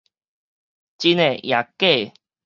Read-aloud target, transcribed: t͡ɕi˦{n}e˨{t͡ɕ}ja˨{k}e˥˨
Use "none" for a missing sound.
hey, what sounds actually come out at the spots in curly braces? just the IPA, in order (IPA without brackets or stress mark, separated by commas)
n, none, k